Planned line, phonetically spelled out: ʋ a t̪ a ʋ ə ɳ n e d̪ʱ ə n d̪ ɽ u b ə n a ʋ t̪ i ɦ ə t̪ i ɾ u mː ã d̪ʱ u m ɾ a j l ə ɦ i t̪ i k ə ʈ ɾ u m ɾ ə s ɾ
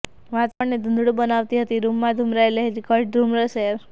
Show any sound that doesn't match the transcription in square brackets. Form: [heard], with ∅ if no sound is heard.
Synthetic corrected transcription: ʋ a t̪ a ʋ ə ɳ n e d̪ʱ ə n d̪ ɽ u b ə n a ʋ t̪ i ɦ ə t̪ i ɾ u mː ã d̪ʱ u m ɾ a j l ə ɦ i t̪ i k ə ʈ ɾ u m ɾ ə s ɾ